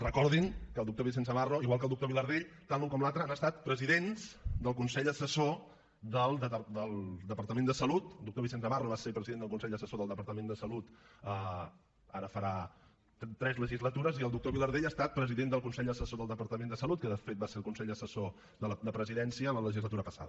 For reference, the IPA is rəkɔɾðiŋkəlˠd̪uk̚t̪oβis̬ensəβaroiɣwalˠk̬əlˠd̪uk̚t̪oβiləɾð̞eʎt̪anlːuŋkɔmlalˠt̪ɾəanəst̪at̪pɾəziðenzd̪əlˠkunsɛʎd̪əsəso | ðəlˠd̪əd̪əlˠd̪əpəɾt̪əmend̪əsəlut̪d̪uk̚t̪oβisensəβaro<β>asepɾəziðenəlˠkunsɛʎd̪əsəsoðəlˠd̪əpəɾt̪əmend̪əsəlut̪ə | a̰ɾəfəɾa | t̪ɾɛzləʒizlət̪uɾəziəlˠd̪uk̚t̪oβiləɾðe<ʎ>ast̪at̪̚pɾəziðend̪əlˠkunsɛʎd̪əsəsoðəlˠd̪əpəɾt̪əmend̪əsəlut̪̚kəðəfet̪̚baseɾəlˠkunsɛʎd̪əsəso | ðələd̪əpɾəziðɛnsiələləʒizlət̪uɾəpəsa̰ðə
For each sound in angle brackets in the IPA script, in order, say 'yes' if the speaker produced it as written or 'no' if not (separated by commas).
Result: yes, yes